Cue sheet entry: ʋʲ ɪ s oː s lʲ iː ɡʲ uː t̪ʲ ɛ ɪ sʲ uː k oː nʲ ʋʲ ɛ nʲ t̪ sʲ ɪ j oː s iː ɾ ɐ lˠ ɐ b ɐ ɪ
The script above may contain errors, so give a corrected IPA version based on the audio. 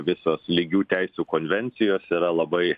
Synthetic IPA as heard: ʋʲ ɪ s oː s lʲ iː ɡʲ uː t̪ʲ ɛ ɪ sʲ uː k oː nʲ ʋʲ ɛ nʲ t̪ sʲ ɪ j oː s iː ɾ ɐ lˠ ɐ b ɐ ɪ